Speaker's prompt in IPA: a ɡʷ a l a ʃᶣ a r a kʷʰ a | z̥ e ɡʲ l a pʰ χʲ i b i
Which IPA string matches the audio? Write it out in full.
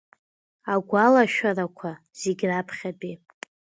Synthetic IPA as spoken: a ɡʷ a l a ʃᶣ a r a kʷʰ a | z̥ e ɡʲ r a pʰ χʲ a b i